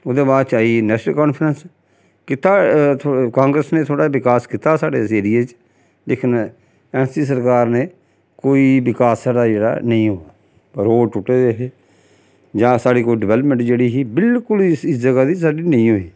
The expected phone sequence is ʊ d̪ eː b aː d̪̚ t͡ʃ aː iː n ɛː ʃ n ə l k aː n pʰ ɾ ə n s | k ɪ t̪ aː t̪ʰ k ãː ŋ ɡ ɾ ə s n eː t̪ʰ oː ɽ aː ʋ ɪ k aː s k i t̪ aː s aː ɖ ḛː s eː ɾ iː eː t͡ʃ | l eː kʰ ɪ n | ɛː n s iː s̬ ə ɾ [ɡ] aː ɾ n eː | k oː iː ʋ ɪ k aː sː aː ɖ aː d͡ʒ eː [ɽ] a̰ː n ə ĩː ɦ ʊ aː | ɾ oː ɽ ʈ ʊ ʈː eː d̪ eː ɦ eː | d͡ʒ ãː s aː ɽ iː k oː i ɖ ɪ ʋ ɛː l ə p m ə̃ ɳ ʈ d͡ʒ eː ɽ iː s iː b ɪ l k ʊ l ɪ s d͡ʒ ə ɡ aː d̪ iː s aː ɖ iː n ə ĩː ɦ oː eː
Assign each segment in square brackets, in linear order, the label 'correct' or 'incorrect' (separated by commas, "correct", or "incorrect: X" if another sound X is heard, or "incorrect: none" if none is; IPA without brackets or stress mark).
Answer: incorrect: k, correct